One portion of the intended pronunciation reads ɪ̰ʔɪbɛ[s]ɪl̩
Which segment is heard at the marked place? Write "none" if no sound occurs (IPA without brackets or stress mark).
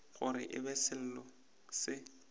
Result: s